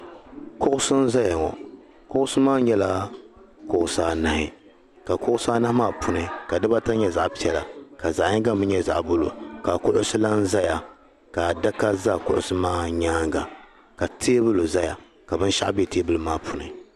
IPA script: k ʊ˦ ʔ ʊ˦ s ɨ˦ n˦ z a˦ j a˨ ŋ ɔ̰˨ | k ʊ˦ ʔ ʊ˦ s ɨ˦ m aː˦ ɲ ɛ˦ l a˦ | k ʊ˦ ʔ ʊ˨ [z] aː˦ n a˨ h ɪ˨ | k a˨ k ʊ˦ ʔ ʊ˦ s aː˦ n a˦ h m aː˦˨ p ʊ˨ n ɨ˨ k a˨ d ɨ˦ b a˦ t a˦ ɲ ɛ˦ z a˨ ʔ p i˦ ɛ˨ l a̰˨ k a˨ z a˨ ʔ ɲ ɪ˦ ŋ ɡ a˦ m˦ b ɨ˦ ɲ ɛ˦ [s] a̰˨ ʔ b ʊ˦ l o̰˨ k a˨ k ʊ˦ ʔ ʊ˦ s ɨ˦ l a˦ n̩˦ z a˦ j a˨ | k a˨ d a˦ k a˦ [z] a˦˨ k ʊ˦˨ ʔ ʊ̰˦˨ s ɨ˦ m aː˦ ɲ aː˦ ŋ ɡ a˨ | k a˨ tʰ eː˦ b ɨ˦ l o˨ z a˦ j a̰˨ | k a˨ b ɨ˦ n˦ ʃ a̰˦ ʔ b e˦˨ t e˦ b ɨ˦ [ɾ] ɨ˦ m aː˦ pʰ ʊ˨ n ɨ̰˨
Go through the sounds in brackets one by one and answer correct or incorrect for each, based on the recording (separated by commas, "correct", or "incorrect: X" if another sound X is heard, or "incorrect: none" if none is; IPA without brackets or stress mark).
incorrect: s, incorrect: z, correct, incorrect: l